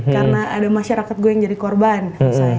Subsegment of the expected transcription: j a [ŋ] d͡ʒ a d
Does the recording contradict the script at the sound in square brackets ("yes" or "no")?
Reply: no